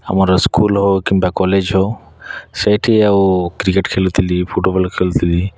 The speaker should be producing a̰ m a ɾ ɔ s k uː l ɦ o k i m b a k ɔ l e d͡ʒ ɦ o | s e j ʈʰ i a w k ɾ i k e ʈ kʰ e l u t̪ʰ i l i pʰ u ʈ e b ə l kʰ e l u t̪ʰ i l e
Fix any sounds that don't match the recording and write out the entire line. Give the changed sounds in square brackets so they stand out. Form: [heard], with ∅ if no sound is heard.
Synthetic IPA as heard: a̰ m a ɾ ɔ s k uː l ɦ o k i m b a k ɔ l e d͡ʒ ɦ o | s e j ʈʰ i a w k ɾ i k e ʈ kʰ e l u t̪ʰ i l i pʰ u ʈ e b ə l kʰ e l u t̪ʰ i l [i]

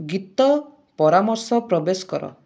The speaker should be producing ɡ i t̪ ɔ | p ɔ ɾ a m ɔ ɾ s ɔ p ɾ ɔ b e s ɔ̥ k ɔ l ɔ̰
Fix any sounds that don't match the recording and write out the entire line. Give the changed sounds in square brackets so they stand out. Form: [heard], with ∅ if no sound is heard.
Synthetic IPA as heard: ɡ i t̪ ɔ | p ɔ ɾ a m ɔ ɾ s ɔ p ɾ ɔ b e s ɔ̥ k ɔ [ɾ] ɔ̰

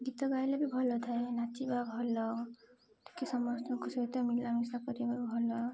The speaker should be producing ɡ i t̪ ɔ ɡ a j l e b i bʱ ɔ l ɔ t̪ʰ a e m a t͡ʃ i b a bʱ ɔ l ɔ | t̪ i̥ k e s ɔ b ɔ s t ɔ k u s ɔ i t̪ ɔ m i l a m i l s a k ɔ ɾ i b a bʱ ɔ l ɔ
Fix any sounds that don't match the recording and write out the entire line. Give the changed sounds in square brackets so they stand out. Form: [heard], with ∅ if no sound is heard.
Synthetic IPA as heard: ɡ i t̪ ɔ ɡ a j l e b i bʱ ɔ l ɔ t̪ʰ a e [n] a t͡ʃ i b a bʱ ɔ l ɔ | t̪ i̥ k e s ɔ [m] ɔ s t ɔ k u s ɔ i t̪ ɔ m i l a m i [∅] s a k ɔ ɾ i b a bʱ ɔ l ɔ

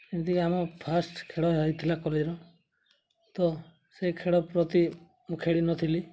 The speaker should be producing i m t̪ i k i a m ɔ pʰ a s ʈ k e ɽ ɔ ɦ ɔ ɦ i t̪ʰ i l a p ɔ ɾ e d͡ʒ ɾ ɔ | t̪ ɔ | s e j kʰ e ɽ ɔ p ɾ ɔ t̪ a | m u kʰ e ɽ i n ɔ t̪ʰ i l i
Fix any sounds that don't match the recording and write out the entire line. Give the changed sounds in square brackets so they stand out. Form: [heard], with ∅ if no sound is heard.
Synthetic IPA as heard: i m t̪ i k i a m ɔ pʰ a s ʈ [kʰ] e ɽ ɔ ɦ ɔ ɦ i t̪ʰ i l a [k] ɔ [l] e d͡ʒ ɾ ɔ | t̪ ɔ | s e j kʰ e ɽ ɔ p ɾ ɔ t̪ [i] | m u kʰ e ɽ i n ɔ t̪ʰ i l i

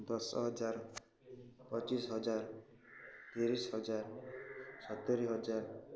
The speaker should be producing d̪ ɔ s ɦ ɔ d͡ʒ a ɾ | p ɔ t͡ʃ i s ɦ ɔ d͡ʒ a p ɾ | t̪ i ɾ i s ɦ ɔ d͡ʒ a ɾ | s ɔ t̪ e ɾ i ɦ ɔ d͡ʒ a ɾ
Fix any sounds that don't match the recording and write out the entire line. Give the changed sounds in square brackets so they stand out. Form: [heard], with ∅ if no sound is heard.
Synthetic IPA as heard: d̪ ɔ s ɦ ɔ d͡ʒ a ɾ | p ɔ t͡ʃ i s ɦ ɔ d͡ʒ a [∅] ɾ | t̪ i ɾ i s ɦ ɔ d͡ʒ a ɾ | s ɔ t̪ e ɾ i ɦ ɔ d͡ʒ a ɾ

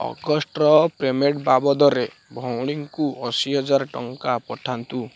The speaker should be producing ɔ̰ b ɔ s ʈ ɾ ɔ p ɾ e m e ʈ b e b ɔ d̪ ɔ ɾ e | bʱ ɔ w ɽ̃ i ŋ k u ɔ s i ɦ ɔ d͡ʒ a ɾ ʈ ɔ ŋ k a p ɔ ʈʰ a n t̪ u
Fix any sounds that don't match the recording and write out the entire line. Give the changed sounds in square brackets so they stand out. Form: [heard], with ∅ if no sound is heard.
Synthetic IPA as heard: ɔ̰ [ɡ] ɔ s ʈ ɾ ɔ p ɾ e m e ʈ b [a] b ɔ d̪ ɔ ɾ e | bʱ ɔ w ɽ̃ i ŋ k u ɔ s i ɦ ɔ d͡ʒ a ɾ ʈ ɔ ŋ k a p ɔ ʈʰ a n t̪ u

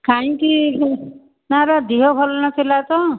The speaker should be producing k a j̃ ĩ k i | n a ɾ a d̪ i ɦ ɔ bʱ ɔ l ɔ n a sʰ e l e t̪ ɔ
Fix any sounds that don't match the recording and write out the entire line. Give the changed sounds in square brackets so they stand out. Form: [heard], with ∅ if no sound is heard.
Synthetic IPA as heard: k a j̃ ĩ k i | n a ɾ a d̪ i ɦ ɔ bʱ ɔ l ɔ n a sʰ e l [a] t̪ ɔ

